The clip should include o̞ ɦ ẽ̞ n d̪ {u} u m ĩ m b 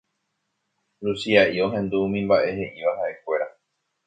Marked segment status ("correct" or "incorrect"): correct